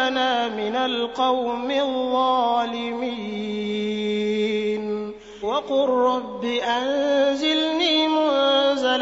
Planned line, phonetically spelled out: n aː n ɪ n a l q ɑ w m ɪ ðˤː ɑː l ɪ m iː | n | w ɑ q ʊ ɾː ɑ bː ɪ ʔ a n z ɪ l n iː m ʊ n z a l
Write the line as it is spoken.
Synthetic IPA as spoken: n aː m ɪ n a l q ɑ w m ɪ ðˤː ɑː l ɪ m iː | n | w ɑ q ʊ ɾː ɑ bː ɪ ʔ a n z ɪ l n iː m ʊ n z a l